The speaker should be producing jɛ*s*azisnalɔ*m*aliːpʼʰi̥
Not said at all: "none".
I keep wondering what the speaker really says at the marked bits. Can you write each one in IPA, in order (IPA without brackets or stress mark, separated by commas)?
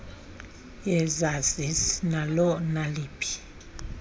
z, n